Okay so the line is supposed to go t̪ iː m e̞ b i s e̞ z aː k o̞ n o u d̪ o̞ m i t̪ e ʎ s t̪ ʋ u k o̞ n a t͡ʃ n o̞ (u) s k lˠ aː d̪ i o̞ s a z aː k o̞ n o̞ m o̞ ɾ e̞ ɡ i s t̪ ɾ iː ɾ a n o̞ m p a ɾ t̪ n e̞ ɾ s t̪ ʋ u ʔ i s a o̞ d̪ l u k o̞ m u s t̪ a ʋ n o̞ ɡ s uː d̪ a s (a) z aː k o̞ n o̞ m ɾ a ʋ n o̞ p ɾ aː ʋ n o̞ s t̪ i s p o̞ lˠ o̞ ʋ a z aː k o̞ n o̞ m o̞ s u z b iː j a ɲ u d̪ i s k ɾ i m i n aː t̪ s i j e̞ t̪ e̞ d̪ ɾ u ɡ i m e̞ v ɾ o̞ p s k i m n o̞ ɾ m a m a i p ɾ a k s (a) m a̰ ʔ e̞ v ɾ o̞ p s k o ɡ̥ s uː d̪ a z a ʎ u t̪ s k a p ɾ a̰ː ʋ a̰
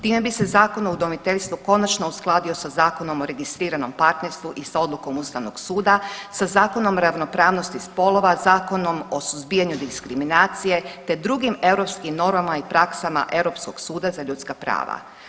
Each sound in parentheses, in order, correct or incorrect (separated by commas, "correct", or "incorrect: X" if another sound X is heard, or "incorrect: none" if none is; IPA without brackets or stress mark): correct, correct, correct